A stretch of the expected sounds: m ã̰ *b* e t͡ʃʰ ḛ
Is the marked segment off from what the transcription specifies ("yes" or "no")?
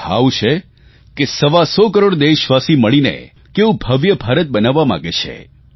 yes